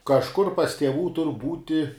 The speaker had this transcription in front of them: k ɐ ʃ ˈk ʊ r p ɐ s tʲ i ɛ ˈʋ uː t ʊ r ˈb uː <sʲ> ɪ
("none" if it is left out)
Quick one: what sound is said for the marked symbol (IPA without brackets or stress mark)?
tʲ